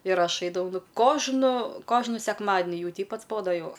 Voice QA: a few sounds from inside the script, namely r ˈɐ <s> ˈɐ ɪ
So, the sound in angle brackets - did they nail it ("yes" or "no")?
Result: no